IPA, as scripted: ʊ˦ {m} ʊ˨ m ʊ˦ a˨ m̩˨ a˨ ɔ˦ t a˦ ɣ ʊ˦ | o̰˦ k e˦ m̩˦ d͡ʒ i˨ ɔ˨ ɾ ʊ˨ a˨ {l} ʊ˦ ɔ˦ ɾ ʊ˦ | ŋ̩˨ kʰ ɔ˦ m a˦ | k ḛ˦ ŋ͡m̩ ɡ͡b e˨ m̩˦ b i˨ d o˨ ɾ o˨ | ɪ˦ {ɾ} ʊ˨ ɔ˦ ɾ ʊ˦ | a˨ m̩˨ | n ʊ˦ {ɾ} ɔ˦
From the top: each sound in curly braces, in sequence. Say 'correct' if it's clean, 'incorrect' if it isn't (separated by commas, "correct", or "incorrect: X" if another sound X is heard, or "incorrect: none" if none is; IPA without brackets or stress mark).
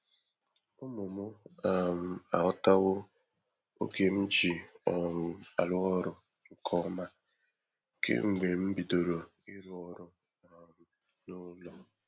correct, correct, correct, incorrect: l